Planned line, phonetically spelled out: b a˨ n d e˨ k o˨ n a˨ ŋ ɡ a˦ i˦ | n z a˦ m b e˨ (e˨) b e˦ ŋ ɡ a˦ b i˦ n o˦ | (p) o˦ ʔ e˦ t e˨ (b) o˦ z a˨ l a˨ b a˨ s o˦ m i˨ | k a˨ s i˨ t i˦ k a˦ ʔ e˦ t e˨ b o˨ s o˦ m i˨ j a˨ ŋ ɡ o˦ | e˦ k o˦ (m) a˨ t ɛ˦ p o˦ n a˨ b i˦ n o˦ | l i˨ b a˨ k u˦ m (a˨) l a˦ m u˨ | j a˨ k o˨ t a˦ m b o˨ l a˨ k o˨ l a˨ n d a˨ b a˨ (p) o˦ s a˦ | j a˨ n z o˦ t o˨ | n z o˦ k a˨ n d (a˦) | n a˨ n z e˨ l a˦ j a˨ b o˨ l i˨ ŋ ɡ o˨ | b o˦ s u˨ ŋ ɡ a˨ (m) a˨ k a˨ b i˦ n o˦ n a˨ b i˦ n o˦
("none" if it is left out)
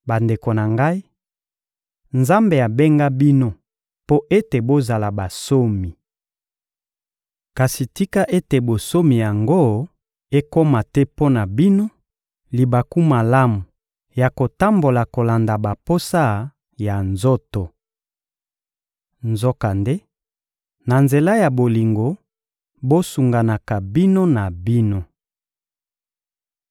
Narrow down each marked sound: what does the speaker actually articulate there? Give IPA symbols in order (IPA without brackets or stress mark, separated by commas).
a˨, p, b, m, a˨, p, e˦, n